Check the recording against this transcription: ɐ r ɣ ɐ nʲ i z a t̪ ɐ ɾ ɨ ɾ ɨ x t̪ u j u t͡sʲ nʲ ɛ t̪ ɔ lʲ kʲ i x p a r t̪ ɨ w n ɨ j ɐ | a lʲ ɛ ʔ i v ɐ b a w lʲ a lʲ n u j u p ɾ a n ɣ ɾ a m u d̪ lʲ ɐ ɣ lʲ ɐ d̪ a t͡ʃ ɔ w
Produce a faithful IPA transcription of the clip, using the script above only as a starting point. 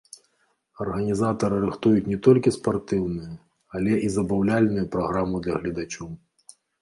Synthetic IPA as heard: ɐ r ɣ ɐ nʲ i z a t̪ ɐ ɾ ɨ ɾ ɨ x t̪ u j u t͡sʲ nʲ ɛ t̪ ɔ lʲ kʲ i s p a r t̪ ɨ w n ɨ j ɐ | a lʲ ɛ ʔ i z ɐ b a w lʲ a lʲ n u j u p ɾ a ɣ ɾ a m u d̪ lʲ ɐ ɣ lʲ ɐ d̪ a t͡ʃ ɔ w